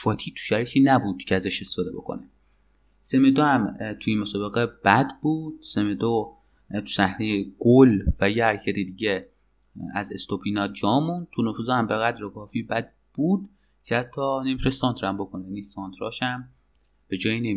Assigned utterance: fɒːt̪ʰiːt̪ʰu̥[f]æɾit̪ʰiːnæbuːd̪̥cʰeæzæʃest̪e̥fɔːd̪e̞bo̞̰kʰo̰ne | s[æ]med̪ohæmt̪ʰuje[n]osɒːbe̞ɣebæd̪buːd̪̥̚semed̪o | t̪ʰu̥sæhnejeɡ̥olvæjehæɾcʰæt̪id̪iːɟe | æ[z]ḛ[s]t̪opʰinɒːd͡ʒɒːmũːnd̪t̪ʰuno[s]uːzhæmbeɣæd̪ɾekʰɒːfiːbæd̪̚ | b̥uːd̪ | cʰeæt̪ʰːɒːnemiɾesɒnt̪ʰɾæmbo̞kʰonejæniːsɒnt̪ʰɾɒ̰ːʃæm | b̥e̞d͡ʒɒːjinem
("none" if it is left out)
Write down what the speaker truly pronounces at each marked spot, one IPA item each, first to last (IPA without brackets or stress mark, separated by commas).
ʃ, e, m, z, s, f